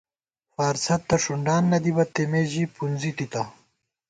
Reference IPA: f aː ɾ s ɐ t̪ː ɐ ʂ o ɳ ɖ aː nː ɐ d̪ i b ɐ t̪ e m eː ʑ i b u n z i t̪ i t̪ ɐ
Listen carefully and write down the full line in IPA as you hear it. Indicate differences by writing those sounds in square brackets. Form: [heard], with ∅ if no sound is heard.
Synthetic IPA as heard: f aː ɾ s ɐ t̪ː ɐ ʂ [u] ɳ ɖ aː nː ɐ d̪ i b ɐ t̪ e m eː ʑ i [p] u n z i t̪ i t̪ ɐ